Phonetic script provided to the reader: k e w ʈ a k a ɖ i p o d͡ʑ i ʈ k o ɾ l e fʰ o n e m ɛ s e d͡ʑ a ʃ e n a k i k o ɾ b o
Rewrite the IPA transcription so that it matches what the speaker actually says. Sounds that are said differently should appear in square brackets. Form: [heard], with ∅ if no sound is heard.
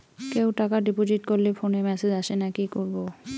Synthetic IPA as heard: k e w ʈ a k a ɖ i p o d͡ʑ i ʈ k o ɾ l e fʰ o n e m ɛ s e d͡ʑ a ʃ e n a k i k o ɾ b o